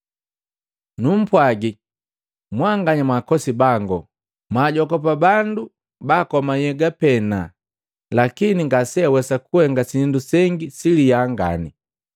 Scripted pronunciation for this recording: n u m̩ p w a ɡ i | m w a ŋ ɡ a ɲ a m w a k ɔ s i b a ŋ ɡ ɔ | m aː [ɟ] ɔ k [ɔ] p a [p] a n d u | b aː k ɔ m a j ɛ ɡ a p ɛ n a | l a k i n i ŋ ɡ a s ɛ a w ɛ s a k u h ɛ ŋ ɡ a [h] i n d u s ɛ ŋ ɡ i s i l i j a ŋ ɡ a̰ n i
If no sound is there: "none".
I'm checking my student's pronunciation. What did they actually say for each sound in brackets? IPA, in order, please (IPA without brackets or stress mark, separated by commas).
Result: ɟ, ɔ, b, s